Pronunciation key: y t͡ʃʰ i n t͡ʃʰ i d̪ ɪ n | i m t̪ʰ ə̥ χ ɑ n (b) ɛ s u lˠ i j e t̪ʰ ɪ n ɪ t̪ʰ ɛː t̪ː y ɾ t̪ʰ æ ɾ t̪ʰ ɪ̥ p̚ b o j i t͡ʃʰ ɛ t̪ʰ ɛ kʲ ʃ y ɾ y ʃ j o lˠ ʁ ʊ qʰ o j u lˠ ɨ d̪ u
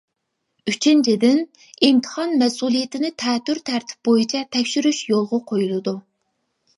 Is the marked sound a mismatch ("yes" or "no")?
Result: yes